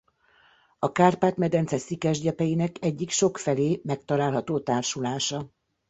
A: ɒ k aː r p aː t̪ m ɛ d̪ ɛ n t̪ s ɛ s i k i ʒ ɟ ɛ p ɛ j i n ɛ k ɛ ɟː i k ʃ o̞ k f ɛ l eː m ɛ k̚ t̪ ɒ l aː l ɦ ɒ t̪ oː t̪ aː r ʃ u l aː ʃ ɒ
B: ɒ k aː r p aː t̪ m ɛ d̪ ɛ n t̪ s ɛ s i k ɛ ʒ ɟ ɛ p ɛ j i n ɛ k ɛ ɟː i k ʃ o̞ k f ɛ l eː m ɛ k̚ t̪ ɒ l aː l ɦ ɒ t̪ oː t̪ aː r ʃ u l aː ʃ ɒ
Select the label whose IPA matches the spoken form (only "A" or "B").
B